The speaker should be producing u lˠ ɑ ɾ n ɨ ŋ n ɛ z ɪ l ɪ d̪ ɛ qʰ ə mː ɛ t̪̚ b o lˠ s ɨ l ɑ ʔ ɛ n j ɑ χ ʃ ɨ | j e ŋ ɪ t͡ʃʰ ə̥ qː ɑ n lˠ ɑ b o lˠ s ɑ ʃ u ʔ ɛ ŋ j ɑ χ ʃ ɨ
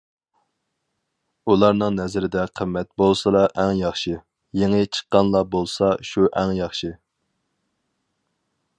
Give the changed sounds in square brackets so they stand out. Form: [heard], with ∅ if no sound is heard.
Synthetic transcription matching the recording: u lˠ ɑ ɾ n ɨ ŋ n ɛ z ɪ [ɾ] ɪ d̪ ɛ qʰ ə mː ɛ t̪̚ b o lˠ s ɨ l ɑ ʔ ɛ [ŋ] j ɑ χ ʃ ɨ | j e ŋ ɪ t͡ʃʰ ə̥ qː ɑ n lˠ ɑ b o lˠ s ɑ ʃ u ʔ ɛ ŋ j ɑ χ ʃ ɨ